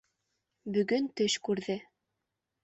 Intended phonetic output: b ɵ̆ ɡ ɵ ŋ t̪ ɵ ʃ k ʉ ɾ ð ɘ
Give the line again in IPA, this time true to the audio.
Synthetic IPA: b ɵ̆ ɡ ɵ n t̪ ɵ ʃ k ʉ ɾ ð ɘ

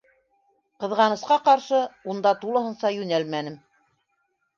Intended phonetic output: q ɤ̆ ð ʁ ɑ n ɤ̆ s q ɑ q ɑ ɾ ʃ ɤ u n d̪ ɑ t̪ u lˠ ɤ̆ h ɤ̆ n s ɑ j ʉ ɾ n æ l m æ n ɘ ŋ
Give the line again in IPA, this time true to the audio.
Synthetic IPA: q ɤ̆ ð ʁ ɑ n ɤ̆ s q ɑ q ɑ ɾ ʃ ɤ u n d̪ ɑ t̪ u lˠ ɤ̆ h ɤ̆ n s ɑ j ʉ n æ l m æ n ɘ m

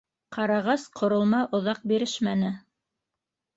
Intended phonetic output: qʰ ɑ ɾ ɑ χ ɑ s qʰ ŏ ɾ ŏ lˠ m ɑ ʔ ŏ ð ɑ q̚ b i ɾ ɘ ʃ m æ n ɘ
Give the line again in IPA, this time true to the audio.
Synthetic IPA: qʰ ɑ ɾ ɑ ʁ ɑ s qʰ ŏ ɾ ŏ lˠ m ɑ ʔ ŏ ð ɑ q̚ b i ɾ ɘ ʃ m æ n ɘ

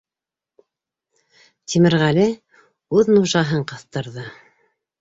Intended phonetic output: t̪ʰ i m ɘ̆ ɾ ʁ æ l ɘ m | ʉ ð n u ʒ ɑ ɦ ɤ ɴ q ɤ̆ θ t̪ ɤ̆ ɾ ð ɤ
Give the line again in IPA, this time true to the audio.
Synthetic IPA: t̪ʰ i m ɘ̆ ɾ ʁ æ l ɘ | ʉ ð n u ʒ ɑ ɦ ɤ ɴ q ɤ̆ θ t̪ ɤ̆ ɾ ð ɤ

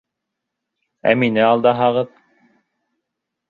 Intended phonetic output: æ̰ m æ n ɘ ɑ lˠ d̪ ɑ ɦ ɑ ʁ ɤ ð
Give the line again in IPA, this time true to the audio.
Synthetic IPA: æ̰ m i n ɘ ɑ lˠ d̪ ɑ ɦ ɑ ʁ ɤ ð

